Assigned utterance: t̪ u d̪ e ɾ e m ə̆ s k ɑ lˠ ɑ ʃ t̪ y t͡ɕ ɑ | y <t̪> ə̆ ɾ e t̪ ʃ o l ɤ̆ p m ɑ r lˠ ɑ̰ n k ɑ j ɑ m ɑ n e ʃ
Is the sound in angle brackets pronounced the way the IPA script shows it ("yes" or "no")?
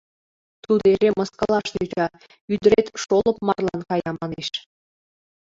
no